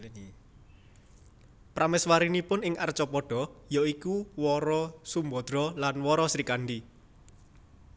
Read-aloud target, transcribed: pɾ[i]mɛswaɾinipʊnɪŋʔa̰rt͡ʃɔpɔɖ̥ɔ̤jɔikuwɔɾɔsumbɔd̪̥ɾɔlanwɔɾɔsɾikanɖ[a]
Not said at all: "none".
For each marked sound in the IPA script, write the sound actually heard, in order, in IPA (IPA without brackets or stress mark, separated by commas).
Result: a, i